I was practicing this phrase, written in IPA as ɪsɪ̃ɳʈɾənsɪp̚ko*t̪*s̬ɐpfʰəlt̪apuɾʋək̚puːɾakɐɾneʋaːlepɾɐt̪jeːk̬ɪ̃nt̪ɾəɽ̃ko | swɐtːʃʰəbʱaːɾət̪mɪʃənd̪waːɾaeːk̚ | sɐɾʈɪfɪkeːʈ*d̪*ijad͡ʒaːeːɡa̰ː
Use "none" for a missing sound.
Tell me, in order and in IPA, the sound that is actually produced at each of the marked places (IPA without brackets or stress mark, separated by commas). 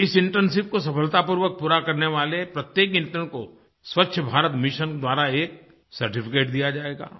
none, d̪